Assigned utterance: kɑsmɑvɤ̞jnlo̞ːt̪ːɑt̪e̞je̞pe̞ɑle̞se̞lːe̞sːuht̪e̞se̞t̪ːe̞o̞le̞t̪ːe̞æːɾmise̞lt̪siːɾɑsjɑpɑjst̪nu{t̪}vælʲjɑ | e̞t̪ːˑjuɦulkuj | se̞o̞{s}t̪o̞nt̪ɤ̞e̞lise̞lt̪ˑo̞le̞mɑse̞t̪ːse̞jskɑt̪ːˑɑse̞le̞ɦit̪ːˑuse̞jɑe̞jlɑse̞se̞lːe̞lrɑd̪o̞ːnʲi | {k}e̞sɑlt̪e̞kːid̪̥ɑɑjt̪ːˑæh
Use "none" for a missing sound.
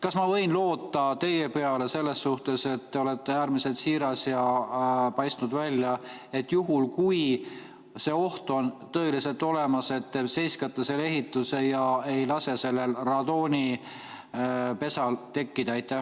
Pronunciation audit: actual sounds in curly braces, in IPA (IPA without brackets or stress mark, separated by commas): d̪, h, p